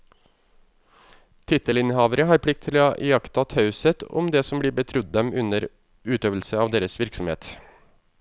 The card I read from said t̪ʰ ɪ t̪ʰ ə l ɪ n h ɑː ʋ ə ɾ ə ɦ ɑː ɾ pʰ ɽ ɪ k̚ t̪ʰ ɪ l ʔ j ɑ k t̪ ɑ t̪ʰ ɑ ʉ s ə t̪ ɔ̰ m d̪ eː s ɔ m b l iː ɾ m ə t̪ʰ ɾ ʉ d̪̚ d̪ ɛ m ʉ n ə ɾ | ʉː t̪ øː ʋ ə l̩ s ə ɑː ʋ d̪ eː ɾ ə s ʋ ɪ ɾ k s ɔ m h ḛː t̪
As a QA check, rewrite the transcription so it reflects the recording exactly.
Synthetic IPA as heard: t̪ʰ ɪ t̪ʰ ə l ɪ n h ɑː ʋ ə ɾ ə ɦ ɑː ɾ pʰ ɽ ɪ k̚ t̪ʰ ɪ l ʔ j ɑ k t̪ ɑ t̪ʰ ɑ ʉ s ə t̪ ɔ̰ m d̪ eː s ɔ m b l iː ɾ b ə t̪ʰ ɾ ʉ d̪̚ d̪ ɛ m ʉ n ə ɾ | ʉː t̪ øː ʋ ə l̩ s ə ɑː ʋ d̪ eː ɾ ə s ʋ ɪ ɾ k s ɔ m h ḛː t̪